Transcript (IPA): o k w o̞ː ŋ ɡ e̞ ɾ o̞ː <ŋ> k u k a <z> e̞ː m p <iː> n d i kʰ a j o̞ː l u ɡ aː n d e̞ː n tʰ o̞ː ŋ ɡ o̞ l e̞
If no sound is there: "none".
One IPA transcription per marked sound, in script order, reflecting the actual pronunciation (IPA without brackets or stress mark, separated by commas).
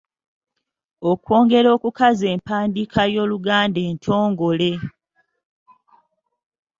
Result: none, z, aː